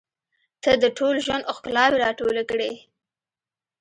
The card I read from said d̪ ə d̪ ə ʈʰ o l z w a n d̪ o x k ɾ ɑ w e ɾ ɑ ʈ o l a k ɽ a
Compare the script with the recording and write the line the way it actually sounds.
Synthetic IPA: t̪ ə d̪ ə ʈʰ o l ʒ w a n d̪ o x k l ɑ w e ɾ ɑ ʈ o l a k ɽ e